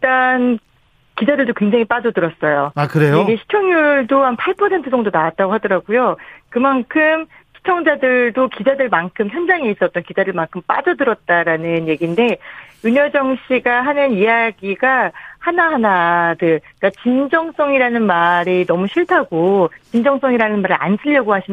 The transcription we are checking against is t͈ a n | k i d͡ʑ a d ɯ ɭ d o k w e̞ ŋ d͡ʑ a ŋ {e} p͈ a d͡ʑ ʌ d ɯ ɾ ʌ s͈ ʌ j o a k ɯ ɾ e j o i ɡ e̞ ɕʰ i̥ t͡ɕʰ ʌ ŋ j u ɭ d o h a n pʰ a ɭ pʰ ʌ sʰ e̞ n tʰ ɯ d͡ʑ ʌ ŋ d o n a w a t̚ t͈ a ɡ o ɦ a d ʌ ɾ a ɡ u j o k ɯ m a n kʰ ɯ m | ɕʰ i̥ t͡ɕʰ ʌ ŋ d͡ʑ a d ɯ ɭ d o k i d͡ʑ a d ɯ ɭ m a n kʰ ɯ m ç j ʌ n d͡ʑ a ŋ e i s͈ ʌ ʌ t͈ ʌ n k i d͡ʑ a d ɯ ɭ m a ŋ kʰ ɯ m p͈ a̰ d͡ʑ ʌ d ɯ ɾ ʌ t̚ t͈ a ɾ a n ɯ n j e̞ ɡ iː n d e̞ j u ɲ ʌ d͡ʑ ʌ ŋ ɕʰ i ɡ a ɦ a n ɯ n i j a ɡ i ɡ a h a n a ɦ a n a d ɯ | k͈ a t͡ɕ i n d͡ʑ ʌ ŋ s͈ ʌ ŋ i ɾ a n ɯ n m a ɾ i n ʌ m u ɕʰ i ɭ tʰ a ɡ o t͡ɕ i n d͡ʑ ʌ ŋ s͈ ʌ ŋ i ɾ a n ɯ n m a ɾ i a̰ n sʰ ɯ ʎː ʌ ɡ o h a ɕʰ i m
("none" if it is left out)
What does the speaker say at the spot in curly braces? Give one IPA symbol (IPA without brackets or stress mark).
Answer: i